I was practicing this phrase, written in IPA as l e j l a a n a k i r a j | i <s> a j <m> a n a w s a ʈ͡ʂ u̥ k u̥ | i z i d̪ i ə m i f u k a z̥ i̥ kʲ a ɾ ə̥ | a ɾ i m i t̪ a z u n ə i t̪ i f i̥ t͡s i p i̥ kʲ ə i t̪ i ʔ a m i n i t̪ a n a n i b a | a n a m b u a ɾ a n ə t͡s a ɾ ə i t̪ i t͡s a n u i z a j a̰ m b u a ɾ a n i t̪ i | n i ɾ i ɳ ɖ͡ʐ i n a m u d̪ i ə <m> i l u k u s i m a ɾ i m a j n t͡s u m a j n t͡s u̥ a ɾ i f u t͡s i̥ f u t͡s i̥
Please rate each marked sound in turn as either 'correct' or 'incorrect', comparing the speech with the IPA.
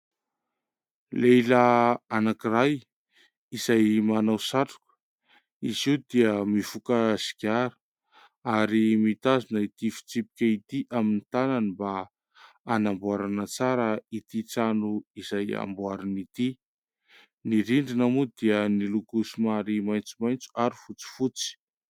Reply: incorrect: z, correct, incorrect: n

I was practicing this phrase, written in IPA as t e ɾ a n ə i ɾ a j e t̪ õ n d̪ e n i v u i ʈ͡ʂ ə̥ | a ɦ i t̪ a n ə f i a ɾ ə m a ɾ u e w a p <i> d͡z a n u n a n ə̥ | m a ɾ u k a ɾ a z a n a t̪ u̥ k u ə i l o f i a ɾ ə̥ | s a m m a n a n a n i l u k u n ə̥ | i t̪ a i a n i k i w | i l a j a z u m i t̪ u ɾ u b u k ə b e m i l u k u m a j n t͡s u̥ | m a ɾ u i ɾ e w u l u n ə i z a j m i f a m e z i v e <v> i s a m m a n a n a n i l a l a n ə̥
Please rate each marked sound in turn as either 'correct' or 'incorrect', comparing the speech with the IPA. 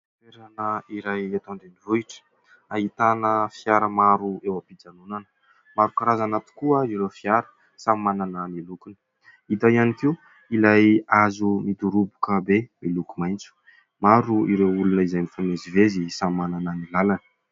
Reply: correct, incorrect: z

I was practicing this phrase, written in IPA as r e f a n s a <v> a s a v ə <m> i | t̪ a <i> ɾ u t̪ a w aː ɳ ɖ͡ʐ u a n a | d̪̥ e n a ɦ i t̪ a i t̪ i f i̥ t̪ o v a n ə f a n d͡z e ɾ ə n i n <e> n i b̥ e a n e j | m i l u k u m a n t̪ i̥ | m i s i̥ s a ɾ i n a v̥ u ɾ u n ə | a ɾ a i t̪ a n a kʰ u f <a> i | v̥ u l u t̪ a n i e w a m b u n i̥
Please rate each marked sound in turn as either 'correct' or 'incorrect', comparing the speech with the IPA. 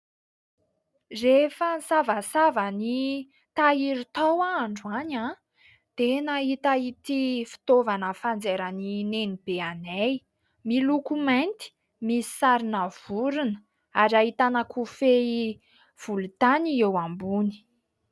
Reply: correct, incorrect: n, correct, correct, incorrect: e

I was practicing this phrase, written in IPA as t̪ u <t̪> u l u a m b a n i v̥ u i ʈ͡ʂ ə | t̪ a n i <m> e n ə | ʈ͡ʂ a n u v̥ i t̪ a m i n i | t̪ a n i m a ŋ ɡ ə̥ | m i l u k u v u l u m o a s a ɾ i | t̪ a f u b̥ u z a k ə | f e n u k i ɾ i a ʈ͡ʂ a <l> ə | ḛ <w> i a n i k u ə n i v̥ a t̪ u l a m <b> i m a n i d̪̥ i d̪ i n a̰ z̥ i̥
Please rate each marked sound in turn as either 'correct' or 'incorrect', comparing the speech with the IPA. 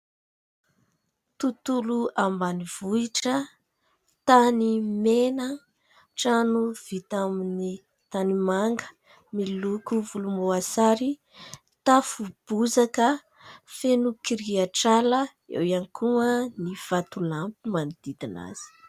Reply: correct, correct, correct, correct, incorrect: p

